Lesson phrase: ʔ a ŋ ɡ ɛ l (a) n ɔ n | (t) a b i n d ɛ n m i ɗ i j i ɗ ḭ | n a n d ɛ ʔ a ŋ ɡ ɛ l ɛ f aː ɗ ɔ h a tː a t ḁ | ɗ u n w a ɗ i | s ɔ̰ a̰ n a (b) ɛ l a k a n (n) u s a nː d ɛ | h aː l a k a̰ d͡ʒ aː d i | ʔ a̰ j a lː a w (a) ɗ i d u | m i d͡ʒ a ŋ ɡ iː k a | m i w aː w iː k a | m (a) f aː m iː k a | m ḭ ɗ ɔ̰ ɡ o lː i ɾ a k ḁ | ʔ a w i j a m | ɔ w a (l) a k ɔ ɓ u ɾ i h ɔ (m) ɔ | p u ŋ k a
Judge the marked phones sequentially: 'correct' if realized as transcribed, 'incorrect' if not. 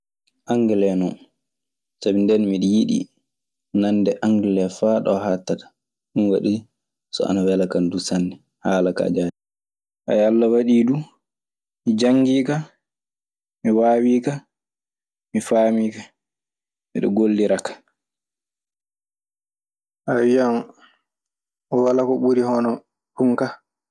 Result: incorrect, incorrect, incorrect, incorrect, correct, incorrect, correct, incorrect

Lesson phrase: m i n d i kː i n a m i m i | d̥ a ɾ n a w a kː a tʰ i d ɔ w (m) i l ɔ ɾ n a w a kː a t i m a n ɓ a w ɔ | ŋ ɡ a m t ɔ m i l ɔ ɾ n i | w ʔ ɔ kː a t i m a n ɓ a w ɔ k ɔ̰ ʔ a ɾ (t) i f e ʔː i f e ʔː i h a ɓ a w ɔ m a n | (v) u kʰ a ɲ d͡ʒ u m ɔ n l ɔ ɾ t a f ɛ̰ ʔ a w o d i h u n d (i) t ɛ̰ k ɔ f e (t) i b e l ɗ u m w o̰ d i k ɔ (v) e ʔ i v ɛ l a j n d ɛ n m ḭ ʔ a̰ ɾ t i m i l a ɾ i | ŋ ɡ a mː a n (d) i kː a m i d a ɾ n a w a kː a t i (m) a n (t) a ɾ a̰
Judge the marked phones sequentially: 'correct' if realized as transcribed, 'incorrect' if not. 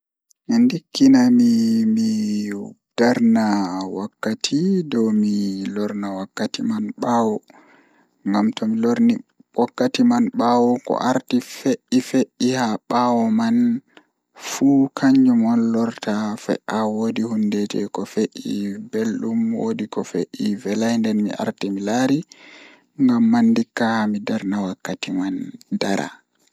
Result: correct, correct, incorrect, incorrect, incorrect, incorrect, correct, correct, incorrect

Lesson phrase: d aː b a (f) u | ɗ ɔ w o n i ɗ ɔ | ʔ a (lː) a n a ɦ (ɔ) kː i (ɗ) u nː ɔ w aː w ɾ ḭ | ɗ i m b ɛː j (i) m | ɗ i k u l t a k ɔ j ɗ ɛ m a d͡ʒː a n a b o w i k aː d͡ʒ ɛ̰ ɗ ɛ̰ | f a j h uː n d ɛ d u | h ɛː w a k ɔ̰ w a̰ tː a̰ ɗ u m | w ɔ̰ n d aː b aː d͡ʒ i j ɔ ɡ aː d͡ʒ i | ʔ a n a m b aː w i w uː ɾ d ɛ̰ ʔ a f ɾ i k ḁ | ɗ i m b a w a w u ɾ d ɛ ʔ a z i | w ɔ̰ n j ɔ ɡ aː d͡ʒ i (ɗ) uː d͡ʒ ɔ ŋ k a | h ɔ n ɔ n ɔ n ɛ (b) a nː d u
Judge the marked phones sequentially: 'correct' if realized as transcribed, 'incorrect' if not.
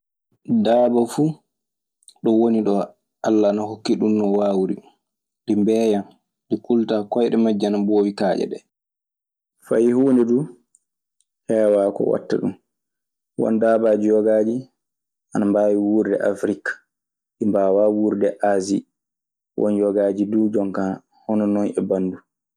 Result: correct, correct, incorrect, correct, incorrect, incorrect, correct

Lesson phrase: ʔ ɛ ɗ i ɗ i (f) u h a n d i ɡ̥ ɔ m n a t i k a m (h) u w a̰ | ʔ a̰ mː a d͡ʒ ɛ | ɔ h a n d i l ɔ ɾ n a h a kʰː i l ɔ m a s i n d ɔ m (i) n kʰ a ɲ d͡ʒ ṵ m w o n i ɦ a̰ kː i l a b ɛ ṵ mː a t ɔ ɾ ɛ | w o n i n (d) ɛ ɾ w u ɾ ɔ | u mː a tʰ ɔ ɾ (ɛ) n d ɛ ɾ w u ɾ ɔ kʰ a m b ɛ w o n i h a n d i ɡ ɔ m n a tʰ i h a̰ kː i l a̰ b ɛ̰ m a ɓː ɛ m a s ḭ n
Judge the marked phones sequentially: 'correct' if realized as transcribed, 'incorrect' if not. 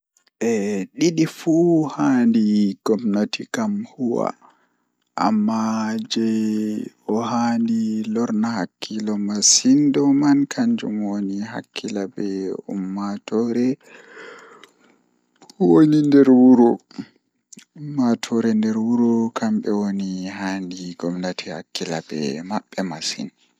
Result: correct, correct, incorrect, correct, correct

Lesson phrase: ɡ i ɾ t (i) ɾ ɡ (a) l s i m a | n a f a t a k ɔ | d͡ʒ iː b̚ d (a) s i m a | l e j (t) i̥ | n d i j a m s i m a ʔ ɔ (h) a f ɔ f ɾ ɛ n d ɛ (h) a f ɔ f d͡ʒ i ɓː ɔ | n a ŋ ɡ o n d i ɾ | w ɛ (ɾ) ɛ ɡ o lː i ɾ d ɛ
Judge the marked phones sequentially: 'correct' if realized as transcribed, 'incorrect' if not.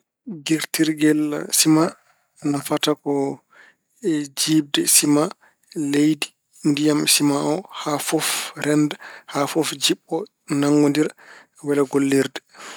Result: correct, incorrect, incorrect, incorrect, correct, correct, incorrect

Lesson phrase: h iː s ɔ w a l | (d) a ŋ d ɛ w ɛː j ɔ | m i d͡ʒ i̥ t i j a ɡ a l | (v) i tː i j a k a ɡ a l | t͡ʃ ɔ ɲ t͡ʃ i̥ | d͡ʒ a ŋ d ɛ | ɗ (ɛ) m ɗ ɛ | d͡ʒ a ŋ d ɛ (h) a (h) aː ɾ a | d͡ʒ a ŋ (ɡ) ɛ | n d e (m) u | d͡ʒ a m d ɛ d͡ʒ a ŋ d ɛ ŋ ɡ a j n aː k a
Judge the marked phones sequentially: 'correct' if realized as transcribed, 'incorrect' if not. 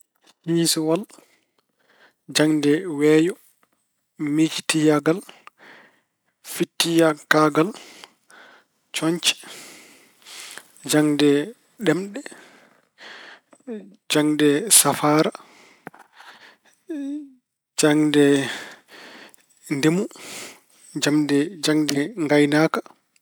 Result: incorrect, incorrect, correct, incorrect, incorrect, incorrect, correct

